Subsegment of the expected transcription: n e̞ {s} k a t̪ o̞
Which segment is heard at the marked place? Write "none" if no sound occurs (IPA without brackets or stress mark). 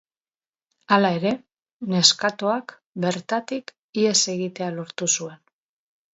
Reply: s